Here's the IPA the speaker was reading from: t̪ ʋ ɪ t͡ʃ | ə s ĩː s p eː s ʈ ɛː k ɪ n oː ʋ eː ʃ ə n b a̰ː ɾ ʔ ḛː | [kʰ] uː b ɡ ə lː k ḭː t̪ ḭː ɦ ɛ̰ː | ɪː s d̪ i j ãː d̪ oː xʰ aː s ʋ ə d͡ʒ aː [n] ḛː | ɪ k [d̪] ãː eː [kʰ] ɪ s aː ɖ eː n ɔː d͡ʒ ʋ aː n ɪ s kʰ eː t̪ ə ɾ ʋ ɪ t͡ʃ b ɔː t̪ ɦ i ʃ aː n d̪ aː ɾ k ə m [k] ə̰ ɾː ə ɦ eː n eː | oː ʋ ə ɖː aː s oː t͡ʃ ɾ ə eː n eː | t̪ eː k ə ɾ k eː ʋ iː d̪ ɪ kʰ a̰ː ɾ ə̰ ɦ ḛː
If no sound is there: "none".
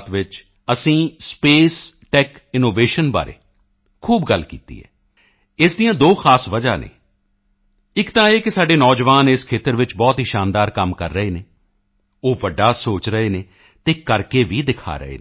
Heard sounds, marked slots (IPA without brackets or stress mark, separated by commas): kʰ, n, t̪, k, k